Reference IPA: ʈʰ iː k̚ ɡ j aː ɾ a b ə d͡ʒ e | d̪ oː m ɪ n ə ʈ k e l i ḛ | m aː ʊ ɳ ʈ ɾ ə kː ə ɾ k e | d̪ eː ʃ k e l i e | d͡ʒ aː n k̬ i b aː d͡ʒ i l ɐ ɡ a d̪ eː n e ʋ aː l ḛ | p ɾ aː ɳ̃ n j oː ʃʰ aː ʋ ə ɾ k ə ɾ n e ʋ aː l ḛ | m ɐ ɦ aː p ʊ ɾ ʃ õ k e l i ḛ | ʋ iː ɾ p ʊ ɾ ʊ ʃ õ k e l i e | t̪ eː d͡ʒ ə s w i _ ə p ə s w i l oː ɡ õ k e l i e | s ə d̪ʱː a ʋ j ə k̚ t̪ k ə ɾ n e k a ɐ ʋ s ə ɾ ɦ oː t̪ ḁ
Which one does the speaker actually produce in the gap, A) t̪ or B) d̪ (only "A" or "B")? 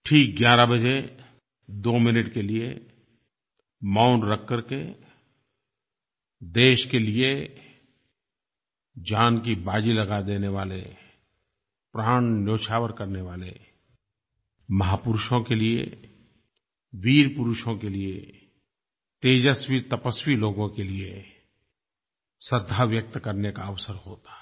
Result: A